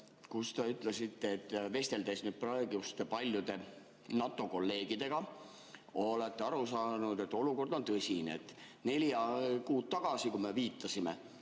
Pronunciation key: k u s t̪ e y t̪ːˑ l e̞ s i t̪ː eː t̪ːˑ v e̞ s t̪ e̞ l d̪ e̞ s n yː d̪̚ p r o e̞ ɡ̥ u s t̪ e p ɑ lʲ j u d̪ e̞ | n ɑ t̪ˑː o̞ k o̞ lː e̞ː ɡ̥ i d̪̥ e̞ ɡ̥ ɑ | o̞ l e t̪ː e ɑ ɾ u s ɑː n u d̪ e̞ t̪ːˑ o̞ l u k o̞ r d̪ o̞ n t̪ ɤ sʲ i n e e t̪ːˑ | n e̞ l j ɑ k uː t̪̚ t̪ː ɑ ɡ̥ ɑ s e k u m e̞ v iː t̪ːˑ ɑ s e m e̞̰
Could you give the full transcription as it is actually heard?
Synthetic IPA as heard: k u s t̪ e y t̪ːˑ l e̞ s i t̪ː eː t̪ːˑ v e̞ s t̪ e̞ l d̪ e̞ s n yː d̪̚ p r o e̞ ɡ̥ u s t̪ e p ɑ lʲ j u d̪ e̞ | n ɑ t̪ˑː o̞ k o̞ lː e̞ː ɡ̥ i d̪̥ e̞ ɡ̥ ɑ | o̞ l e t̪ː e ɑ ɾ u s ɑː n u d̪ e̞ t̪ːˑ o̞ l u k o̞ r d̪ o̞ n t̪ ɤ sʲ i n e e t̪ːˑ | n e̞ l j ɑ k uː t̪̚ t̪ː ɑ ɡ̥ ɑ s i k u m e̞ v iː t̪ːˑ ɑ s i m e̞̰